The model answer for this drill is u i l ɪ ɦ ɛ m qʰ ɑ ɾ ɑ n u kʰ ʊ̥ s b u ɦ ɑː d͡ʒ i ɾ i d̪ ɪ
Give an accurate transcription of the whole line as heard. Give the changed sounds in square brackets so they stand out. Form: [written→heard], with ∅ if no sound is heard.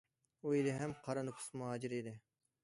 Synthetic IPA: u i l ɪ ɦ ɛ m qʰ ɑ ɾ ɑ n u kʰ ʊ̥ s [b→m] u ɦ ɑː d͡ʒ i ɾ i d̪ ɪ